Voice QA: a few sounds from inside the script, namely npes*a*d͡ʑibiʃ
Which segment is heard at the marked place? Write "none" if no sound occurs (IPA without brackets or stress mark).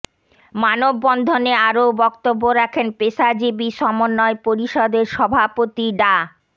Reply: a